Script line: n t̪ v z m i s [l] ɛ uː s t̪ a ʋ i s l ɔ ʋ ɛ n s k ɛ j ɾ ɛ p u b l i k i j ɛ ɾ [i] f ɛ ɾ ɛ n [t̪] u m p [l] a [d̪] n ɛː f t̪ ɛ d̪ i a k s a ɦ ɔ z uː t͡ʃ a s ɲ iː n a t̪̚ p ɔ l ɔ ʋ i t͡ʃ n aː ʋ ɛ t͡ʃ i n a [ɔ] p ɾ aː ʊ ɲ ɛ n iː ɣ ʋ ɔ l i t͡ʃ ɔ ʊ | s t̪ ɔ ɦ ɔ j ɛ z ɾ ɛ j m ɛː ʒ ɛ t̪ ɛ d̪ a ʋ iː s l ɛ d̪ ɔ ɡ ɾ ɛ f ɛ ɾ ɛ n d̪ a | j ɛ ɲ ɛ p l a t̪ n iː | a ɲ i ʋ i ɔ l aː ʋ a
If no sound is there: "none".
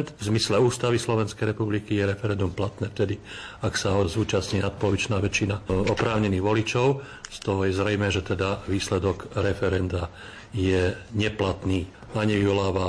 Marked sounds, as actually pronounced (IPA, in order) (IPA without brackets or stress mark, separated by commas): l, ɛ, d̪, l, t̪, ɔ